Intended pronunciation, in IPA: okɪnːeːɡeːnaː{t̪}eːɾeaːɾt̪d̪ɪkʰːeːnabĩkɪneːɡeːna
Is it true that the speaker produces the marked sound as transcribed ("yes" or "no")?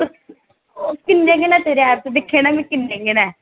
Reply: yes